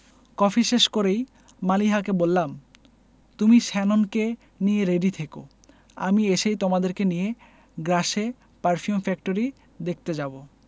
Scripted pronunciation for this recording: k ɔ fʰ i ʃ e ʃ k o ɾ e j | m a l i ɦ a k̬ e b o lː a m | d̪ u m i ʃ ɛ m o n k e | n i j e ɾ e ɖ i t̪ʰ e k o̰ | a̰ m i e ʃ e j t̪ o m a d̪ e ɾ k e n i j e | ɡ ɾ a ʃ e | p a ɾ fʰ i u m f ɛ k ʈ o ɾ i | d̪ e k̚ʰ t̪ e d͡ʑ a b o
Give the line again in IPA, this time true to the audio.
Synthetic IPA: k ɔ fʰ i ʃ e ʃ k o ɾ e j | m a l i ɦ a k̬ e b o lː a m | t̪ u m i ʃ ɛ n o n k e | n i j e ɾ e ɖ i t̪ʰ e k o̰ | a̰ m i e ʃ e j t̪ o m a d̪ e ɾ k e n i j e | ɡ ɾ a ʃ e | p a ɾ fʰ i u m f ɛ k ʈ o ɾ i | d̪ e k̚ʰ t̪ e d͡ʑ a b o